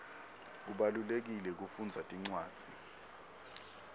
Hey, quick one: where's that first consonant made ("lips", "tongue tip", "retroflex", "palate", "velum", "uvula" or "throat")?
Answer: velum